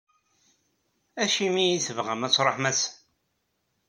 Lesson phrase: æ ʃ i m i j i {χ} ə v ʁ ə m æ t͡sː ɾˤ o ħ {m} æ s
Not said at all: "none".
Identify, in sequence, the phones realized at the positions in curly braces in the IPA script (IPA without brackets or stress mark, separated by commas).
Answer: θ, m